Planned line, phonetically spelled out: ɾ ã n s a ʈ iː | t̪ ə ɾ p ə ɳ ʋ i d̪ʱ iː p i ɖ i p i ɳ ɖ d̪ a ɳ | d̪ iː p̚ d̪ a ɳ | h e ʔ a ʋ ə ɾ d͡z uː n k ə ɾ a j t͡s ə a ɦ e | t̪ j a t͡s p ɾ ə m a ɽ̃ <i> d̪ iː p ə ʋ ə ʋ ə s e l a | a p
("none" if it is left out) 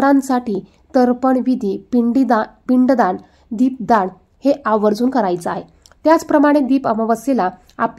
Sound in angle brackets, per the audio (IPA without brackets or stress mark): e